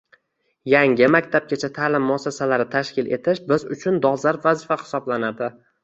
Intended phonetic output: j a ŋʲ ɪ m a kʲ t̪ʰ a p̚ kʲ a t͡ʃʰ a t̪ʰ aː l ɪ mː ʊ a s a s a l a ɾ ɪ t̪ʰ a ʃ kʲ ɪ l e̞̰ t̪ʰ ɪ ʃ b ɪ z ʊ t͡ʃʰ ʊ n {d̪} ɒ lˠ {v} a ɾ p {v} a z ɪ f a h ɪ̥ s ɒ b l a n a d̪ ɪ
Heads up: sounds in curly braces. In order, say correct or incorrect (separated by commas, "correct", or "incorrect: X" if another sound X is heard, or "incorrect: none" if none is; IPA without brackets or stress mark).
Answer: correct, incorrect: z, correct